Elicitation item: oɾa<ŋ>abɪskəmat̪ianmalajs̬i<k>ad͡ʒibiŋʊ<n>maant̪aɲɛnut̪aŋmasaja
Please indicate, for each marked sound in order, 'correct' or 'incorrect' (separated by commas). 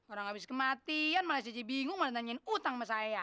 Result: correct, incorrect, incorrect